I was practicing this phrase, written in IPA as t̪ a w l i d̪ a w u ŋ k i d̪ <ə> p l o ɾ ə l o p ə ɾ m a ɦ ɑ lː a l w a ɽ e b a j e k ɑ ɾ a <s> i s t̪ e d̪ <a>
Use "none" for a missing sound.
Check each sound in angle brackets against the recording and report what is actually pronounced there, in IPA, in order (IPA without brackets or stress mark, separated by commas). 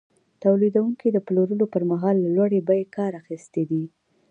ə, x, i